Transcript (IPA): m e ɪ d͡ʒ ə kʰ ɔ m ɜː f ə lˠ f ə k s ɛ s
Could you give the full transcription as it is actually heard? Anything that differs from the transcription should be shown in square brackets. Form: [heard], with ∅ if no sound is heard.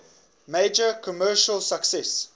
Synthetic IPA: m e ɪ d͡ʒ ə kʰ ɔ m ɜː [ʃ] ə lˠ [s] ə k s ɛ s